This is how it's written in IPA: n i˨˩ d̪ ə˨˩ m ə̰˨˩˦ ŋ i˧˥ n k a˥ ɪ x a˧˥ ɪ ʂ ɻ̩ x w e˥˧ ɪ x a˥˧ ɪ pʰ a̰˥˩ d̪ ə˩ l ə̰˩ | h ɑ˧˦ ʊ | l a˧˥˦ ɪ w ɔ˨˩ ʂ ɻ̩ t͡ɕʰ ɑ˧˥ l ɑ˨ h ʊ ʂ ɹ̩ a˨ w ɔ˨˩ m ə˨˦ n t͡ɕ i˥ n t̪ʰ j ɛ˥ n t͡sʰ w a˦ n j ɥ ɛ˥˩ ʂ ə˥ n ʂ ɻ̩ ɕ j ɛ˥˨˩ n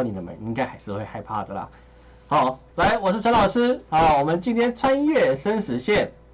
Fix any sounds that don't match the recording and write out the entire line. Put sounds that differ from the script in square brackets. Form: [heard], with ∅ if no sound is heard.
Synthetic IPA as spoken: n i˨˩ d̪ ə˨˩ m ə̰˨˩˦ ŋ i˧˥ [ŋ] k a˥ ɪ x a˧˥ ɪ ʂ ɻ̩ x w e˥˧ ɪ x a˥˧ ɪ pʰ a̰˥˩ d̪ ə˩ l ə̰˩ | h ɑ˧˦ ʊ | l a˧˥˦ ɪ w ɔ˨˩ ʂ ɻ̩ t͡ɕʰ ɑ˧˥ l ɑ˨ [∅] ʊ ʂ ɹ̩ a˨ w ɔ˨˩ m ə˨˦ n t͡ɕ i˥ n t̪ʰ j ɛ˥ n t͡sʰ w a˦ n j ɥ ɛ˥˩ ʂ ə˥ n ʂ ɻ̩ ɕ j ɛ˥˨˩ n